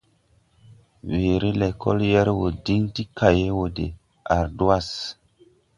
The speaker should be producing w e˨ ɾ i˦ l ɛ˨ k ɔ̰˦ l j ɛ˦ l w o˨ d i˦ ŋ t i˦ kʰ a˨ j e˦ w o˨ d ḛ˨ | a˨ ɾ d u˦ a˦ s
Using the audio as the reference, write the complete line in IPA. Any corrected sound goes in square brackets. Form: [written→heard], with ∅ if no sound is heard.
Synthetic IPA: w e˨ ɾ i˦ l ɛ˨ k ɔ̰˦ l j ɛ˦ [l→ɾ] w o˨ d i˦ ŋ t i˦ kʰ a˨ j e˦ w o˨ d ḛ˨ | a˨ ɾ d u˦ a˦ s